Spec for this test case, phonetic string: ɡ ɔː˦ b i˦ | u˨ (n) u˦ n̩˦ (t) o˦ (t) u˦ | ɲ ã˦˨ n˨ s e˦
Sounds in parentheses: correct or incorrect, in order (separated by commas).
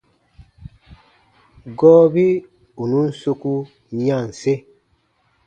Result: correct, incorrect, incorrect